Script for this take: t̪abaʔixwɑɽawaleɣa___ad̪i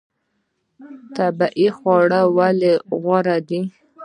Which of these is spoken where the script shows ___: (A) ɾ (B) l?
A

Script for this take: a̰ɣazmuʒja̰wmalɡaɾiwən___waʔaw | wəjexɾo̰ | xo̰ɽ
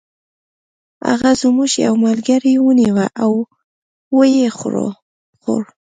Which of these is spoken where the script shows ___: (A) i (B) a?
A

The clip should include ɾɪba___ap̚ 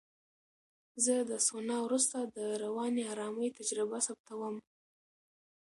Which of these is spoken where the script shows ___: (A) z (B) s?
B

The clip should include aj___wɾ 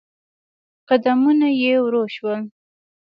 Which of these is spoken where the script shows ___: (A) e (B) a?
A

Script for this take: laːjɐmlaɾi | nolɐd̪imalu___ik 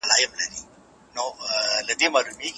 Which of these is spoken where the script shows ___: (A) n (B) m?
B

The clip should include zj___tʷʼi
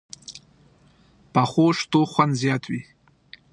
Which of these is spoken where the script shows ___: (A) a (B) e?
A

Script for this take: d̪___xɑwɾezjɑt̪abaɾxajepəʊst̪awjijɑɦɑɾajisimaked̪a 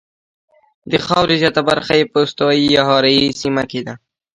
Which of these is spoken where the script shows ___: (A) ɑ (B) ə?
B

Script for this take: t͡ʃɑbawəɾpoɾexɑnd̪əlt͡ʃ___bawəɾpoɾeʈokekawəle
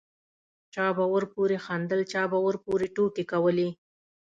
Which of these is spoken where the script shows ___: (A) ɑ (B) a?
A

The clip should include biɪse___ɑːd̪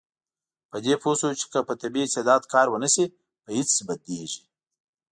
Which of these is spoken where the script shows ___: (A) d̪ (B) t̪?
A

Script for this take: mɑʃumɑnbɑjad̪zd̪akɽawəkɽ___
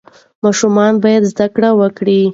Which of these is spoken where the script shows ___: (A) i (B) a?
A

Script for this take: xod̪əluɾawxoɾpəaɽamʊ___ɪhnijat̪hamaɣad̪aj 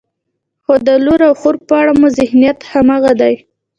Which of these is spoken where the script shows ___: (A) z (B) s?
A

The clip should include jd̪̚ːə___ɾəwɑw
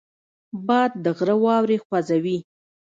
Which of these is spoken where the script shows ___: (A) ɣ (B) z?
A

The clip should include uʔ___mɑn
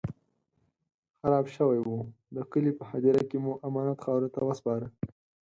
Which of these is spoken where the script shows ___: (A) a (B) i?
A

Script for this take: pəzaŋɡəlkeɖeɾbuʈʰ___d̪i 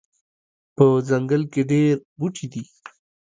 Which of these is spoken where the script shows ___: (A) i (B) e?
A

